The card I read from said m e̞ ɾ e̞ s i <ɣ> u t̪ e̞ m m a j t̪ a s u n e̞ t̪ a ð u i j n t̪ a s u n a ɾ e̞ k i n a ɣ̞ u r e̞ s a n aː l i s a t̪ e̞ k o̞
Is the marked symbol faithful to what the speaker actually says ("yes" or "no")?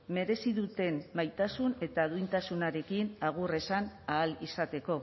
no